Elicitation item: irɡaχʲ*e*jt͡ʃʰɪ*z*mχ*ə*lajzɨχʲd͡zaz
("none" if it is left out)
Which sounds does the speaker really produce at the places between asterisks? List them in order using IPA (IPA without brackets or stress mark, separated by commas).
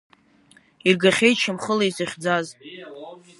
e, none, ə